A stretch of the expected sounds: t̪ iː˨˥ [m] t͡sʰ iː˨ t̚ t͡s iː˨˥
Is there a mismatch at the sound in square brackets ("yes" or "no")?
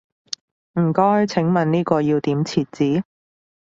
no